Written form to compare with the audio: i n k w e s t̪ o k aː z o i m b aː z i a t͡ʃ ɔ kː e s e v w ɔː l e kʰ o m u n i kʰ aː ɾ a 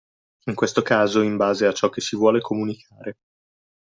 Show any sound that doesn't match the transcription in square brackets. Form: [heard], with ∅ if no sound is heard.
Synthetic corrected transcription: i [ŋ] k w e s t̪ o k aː z o i m b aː z [e] a t͡ʃ ɔ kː e s [i] v w ɔː l e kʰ o m u n i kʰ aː ɾ [e]

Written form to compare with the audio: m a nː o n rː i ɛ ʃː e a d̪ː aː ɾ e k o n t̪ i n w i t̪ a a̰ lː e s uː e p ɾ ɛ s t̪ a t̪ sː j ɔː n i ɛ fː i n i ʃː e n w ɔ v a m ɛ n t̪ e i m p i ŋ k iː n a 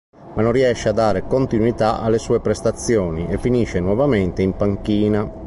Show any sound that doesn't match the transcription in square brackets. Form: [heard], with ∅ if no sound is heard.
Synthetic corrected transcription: m a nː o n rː i ɛ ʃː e a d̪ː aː ɾ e k o n t̪ i n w i t̪ a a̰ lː e s uː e p ɾ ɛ s t̪ a t̪ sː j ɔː n i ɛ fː i n i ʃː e n w ɔ v a m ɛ n t̪ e i m p [a] ŋ k iː n a

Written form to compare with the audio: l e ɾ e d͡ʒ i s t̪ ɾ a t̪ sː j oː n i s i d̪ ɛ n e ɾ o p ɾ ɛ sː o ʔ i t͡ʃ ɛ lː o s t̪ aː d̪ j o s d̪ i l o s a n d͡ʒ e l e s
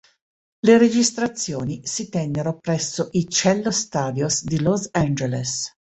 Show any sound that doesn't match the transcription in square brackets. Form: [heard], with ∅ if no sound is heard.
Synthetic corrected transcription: l e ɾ e d͡ʒ i s t̪ ɾ a t̪ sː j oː n i s i [t̪] ɛ [nː] e ɾ o p ɾ ɛ sː o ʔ i t͡ʃ ɛ lː o s t̪ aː d̪ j o s d̪ i l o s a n d͡ʒ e l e s

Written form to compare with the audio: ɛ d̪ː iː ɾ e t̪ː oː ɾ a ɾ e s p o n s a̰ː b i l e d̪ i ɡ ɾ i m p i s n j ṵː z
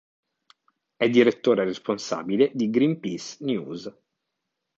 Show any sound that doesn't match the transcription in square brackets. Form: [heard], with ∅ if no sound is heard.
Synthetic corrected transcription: ɛ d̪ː [i] ɾ e t̪ː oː ɾ [e] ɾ e s p o n s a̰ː b i l e d̪ i ɡ ɾ i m p i s n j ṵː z

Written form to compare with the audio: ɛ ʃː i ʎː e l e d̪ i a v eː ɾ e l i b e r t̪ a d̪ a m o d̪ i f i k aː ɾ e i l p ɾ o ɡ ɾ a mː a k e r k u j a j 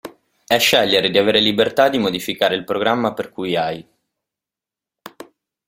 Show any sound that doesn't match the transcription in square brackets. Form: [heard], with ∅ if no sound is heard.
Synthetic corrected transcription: ɛ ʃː [ɛ] ʎː e [ɾ] e d̪ i a v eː ɾ e l i b e r t̪ a d̪ [i] m o d̪ i f i k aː ɾ e i l p ɾ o ɡ ɾ a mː a [p] e r k u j a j

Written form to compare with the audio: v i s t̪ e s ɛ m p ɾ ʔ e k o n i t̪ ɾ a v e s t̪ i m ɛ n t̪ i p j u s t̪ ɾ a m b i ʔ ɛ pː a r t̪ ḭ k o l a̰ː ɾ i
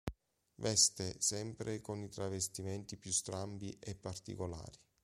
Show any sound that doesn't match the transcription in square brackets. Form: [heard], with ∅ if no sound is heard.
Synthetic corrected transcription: v [ɛ] s t̪ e s ɛ m p ɾ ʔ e k o n i t̪ ɾ a v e s t̪ i m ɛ n t̪ i p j u s t̪ ɾ a m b i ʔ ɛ pː a r t̪ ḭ k o l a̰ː ɾ i

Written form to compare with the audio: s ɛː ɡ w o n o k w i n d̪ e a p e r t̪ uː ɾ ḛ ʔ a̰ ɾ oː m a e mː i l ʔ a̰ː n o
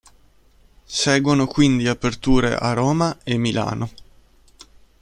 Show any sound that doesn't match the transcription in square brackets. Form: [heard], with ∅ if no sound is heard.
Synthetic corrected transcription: s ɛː ɡ w o n o k w i n d̪ [i] a p e r t̪ uː ɾ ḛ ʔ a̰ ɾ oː m a e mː i l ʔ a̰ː n o

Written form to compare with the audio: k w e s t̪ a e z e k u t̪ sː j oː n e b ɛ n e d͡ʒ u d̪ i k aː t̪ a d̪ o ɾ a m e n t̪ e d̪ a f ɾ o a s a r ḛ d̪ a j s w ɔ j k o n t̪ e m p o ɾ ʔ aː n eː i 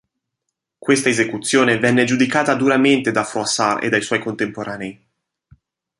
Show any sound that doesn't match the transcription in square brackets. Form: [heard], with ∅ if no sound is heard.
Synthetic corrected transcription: k w e s t̪ a e z e k u t̪ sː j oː n e [v] ɛ [nː] e d͡ʒ u d̪ i k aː t̪ a d̪ [u] ɾ a m e n t̪ e d̪ a f ɾ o a s a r ḛ d̪ a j s w ɔ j k o n t̪ e m p o ɾ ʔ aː n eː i

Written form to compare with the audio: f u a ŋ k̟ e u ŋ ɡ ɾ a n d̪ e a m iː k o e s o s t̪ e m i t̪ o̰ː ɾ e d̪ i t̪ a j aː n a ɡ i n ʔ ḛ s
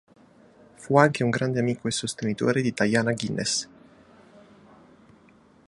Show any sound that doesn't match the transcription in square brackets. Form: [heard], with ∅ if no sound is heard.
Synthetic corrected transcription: f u a ŋ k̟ e u ŋ ɡ ɾ a n d̪ e a m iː k o e s o s t̪ e [n] i t̪ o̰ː ɾ e d̪ i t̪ a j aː n a ɡ i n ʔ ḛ s

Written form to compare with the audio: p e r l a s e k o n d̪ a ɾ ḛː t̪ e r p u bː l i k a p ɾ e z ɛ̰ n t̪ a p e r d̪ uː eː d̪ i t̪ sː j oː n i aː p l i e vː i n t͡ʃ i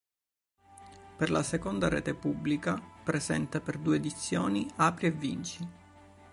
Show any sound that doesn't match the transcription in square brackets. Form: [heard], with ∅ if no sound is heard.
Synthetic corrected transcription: p e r l a s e k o n d̪ a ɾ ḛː t̪ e [∅] p u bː l i k a p ɾ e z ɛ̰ n t̪ a p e r d̪ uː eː d̪ i t̪ sː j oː n i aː p [ɾ] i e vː i n t͡ʃ i

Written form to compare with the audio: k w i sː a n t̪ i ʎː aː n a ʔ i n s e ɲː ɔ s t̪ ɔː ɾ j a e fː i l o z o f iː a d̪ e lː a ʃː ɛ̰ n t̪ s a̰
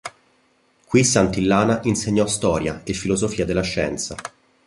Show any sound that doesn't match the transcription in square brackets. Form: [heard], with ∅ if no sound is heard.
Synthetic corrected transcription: k w i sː a n t̪ i [lː] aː n a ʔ i n s e ɲː ɔ s t̪ ɔː ɾ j a e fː i l o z o f iː a d̪ e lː a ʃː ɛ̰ n t̪ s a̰

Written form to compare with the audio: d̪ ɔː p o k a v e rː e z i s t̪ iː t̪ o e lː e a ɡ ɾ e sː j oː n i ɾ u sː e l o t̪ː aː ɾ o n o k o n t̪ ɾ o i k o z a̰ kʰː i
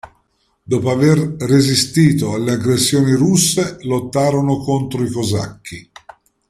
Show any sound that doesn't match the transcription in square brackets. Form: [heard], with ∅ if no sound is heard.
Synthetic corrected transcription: d̪ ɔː p o [∅] a v e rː e z i s t̪ iː t̪ o [a] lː e a ɡ ɾ e sː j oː n i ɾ u sː e l o t̪ː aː ɾ o n o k o n t̪ ɾ o i k o z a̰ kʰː i

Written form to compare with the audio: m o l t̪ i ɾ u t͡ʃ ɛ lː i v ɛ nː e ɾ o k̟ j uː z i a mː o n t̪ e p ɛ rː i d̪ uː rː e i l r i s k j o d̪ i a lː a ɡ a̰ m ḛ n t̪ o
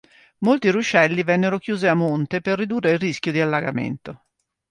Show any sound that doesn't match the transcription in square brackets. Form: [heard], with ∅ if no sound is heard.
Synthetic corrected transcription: m o l t̪ i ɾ u t͡ʃ ɛ lː i v ɛ nː e ɾ o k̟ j uː z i a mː o n t̪ e p [e] rː i d̪ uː rː e i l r i s k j o d̪ i a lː a ɡ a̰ m ḛ n t̪ o

